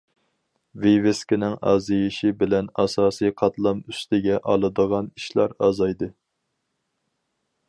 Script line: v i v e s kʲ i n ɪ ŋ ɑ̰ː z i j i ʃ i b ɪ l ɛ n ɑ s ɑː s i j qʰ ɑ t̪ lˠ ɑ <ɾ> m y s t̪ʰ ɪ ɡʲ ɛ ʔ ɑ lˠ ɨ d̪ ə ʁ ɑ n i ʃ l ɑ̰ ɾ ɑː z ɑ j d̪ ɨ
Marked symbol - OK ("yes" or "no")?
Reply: no